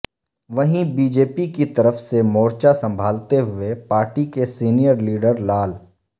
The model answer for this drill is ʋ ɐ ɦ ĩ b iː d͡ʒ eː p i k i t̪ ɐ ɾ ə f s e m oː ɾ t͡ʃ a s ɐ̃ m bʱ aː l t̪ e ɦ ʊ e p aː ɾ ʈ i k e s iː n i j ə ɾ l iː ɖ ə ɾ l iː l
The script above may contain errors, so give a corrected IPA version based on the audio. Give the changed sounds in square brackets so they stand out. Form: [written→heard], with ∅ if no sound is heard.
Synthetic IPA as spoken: ʋ ɐ ɦ ĩ b iː d͡ʒ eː p i k i t̪ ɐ ɾ ə f s e m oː ɾ t͡ʃ a s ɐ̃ m bʱ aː l t̪ e ɦ ʊ e p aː ɾ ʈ i k e s iː n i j ə ɾ l iː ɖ ə ɾ l [iː→aː] l